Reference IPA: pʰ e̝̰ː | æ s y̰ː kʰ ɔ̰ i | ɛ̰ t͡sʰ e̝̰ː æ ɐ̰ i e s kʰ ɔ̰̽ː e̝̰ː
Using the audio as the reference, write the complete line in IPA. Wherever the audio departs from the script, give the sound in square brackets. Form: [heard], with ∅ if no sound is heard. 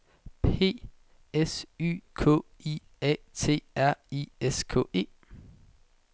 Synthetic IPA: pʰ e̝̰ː | [e] s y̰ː kʰ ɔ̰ i | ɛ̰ t͡sʰ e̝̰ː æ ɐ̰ i e s kʰ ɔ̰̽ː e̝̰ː